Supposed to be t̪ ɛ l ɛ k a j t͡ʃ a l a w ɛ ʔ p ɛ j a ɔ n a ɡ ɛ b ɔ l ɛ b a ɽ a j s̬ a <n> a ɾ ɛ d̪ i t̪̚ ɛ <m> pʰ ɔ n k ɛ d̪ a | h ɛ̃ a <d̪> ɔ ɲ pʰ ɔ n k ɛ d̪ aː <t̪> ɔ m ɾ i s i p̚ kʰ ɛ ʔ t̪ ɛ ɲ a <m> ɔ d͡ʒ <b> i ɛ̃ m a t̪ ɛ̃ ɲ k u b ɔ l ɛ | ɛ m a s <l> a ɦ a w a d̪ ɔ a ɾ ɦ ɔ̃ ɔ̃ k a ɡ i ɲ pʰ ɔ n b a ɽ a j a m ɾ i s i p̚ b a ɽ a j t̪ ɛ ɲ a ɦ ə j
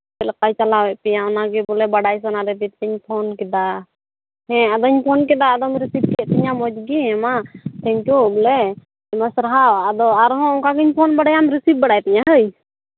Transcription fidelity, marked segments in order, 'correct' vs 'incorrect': correct, incorrect: ɲ, correct, incorrect: d̪, correct, incorrect: ɡ, incorrect: ɾ

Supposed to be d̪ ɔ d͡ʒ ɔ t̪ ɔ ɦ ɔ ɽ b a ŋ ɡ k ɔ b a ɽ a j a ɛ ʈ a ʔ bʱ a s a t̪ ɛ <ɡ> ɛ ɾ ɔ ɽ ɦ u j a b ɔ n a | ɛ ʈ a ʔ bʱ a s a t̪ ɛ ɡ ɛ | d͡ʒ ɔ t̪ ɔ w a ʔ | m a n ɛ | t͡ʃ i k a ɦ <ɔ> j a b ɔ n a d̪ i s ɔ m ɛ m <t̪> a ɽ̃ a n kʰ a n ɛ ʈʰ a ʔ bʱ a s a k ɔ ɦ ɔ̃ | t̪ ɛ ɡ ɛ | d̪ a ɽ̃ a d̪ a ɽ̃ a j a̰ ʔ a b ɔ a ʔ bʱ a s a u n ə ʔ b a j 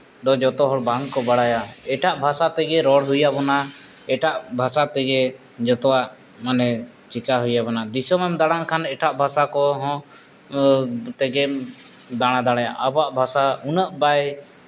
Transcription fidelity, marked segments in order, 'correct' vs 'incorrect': correct, incorrect: u, incorrect: d̪

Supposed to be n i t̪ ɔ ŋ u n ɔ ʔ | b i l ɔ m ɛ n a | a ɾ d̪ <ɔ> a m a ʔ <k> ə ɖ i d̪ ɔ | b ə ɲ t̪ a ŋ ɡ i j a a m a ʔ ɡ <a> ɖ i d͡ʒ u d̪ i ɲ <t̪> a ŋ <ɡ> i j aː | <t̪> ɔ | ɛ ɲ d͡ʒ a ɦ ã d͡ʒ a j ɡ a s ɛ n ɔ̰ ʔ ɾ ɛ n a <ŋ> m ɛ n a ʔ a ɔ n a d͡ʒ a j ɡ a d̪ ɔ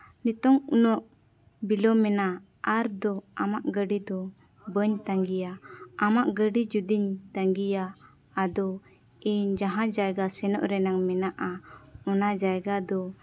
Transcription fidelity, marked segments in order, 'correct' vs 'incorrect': correct, incorrect: ɡ, incorrect: ə, correct, correct, incorrect: d̪, correct

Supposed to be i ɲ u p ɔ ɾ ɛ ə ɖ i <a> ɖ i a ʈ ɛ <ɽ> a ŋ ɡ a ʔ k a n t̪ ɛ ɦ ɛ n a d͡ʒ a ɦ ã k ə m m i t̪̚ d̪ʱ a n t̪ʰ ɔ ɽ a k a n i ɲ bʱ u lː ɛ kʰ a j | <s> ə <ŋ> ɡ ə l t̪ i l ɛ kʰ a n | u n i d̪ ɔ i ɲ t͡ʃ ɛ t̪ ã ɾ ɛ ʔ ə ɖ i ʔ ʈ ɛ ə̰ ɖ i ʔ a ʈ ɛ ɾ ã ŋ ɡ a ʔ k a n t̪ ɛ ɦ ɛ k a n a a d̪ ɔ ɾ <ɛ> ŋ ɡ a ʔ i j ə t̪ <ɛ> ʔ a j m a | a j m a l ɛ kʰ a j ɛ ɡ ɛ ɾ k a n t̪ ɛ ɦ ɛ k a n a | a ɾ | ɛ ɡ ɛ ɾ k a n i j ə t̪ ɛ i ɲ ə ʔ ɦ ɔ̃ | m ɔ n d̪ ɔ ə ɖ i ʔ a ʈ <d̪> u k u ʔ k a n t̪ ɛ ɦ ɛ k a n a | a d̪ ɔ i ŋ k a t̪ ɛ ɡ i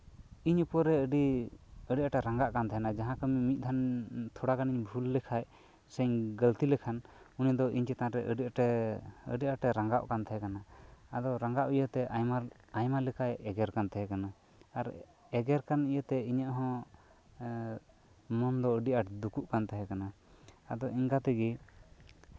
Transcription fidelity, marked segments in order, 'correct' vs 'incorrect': incorrect: ə, incorrect: ɾ, correct, incorrect: ɲ, incorrect: a, correct, correct

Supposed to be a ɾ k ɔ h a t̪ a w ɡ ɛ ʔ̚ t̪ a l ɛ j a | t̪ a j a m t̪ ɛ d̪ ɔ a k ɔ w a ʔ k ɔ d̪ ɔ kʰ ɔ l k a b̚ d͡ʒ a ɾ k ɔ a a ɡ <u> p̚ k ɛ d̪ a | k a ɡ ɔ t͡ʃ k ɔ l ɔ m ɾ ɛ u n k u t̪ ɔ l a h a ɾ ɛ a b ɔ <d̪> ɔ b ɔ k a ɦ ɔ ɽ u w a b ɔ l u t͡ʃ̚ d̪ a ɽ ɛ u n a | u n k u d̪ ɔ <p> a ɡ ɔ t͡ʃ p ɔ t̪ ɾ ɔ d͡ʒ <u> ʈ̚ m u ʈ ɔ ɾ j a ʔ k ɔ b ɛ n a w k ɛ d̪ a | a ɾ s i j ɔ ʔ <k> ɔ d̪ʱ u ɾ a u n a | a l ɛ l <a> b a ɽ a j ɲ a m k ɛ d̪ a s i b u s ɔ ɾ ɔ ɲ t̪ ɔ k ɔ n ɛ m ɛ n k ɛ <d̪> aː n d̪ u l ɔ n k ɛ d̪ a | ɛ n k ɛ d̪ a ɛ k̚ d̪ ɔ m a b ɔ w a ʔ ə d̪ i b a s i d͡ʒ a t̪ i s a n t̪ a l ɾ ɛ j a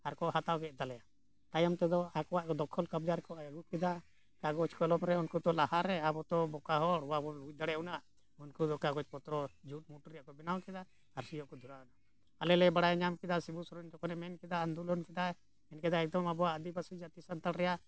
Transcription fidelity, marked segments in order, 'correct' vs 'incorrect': correct, incorrect: t̪, incorrect: k, correct, correct, incorrect: ɛ, correct

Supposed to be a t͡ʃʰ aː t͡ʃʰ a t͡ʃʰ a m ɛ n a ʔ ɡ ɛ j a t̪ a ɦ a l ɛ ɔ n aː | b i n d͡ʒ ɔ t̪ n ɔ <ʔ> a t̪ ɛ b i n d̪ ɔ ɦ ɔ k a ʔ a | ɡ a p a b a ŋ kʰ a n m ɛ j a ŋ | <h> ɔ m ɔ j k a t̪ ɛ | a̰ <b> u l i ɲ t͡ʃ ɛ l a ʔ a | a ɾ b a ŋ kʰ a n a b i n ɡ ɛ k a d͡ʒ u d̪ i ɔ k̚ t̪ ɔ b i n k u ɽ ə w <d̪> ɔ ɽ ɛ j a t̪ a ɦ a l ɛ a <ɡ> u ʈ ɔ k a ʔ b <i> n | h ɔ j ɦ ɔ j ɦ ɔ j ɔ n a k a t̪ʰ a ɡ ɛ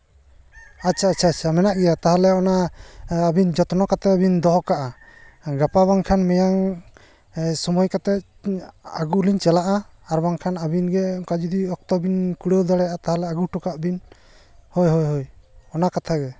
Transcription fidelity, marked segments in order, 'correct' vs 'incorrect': incorrect: k, incorrect: s, incorrect: ɡ, correct, correct, correct

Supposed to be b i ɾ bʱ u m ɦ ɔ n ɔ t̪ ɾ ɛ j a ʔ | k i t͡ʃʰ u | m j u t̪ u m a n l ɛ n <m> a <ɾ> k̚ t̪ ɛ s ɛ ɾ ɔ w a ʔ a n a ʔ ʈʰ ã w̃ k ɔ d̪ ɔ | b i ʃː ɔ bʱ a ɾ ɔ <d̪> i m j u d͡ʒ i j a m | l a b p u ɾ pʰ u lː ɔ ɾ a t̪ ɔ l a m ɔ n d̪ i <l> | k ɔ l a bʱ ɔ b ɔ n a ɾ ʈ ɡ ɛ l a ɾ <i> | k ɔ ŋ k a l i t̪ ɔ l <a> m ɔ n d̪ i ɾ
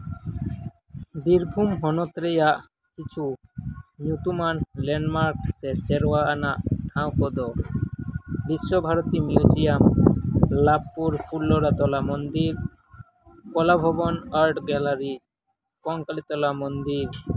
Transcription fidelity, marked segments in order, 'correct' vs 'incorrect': correct, correct, incorrect: t̪, incorrect: ɾ, correct, correct

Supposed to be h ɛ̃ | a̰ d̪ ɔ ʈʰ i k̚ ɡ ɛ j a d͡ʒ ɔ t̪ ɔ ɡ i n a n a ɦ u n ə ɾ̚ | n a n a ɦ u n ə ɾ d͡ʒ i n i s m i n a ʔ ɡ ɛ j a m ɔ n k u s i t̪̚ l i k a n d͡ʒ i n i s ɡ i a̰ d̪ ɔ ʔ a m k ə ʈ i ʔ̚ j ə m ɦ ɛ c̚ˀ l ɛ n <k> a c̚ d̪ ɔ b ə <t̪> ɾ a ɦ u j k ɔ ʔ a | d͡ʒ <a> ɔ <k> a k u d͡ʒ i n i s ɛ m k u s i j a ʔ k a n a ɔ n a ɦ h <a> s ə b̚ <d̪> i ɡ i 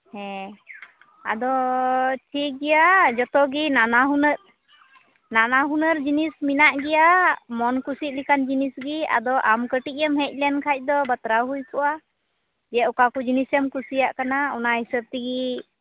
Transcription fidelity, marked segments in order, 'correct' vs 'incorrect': incorrect: kʰ, correct, incorrect: ɛ, correct, incorrect: i, incorrect: t̪

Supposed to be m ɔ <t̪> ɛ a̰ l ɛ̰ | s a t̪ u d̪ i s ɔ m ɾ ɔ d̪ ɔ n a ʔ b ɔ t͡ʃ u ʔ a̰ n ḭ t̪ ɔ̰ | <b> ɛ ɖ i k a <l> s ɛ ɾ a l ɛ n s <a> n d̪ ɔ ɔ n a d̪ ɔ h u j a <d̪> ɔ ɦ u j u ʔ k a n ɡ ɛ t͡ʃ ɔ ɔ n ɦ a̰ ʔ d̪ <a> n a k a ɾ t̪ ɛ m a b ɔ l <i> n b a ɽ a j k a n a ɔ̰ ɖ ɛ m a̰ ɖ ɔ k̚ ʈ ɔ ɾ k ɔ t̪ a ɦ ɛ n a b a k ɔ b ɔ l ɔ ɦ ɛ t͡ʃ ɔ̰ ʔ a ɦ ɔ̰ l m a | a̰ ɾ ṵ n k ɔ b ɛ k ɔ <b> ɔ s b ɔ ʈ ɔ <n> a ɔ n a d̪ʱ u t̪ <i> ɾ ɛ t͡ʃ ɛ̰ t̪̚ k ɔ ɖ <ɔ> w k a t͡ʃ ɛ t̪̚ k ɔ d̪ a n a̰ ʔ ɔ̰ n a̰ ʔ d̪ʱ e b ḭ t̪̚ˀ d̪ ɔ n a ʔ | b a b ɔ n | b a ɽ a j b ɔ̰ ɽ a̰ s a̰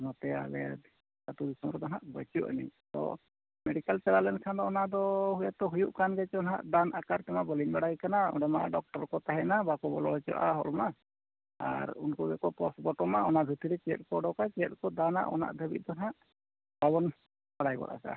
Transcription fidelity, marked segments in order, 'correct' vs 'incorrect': correct, incorrect: m, correct, correct, incorrect: t̪, correct, correct, incorrect: p, incorrect: m, correct, correct

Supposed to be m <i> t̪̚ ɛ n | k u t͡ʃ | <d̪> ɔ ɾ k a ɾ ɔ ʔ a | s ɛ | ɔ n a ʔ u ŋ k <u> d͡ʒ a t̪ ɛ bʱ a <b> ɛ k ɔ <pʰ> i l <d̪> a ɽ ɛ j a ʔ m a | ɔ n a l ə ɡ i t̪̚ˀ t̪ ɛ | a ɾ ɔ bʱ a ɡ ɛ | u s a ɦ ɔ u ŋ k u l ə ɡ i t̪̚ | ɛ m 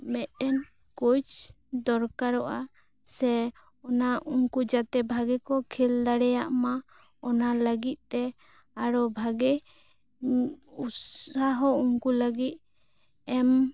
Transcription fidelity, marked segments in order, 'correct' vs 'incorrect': incorrect: ɛ, correct, correct, incorrect: ɡ, incorrect: kʰ, correct

